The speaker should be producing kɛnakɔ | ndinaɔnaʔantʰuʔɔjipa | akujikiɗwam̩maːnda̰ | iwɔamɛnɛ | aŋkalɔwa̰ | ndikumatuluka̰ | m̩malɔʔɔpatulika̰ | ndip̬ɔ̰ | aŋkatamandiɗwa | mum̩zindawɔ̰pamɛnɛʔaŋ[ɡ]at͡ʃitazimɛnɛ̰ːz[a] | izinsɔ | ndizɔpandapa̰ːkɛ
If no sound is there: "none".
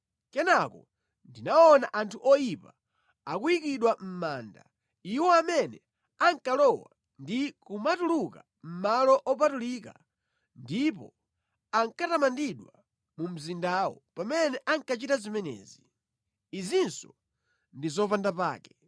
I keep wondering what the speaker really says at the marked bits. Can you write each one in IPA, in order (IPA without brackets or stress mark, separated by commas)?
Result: k, i